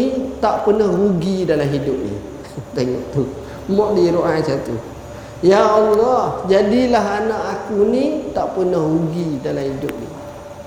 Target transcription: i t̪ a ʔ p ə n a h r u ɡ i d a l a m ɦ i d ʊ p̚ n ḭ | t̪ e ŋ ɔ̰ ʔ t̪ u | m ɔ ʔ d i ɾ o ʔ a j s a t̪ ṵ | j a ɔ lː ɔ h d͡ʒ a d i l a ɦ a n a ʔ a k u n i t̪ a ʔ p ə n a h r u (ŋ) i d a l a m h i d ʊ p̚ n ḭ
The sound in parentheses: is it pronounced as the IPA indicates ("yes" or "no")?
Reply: no